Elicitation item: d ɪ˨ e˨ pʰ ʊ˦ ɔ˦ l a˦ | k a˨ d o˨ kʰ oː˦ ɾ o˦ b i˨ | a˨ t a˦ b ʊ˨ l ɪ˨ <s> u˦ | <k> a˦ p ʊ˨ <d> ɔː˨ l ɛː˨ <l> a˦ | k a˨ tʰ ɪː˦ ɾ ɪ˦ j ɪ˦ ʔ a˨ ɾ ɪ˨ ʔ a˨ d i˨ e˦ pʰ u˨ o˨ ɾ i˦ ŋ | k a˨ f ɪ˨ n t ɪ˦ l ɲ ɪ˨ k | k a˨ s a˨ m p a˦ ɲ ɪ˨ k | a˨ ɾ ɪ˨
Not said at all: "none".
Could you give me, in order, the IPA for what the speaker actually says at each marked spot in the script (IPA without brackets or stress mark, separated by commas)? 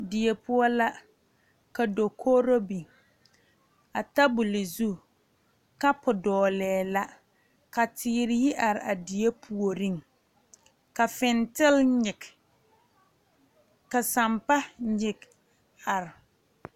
z, k, d, l